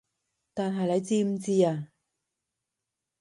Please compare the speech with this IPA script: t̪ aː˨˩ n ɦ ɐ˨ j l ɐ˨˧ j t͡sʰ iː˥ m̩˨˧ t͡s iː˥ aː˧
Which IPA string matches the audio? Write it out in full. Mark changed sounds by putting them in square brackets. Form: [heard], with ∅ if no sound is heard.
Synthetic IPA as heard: t̪ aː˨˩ n ɦ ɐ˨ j l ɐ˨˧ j [t͡s] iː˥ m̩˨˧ t͡s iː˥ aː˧